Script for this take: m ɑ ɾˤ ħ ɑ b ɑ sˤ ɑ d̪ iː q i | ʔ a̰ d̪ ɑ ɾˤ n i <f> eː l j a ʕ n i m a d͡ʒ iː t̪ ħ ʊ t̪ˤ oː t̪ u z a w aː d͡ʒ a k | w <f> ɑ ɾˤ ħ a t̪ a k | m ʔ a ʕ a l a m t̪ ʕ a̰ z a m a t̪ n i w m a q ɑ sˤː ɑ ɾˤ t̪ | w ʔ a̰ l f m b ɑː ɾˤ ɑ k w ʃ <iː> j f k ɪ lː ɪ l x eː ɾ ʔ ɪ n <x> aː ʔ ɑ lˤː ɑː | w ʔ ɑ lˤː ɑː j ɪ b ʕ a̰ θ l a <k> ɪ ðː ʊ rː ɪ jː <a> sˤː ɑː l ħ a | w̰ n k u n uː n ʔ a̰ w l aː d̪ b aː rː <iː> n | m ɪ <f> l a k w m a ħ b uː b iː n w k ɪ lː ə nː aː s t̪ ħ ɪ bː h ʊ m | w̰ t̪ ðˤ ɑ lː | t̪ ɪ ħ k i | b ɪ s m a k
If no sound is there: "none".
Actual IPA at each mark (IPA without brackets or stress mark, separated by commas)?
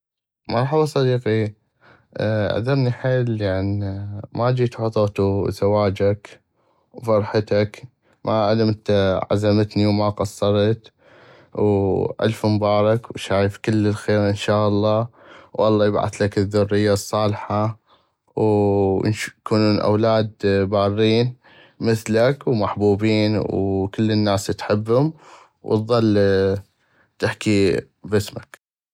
ħ, f, aː, ʃ, k, a, iː, θ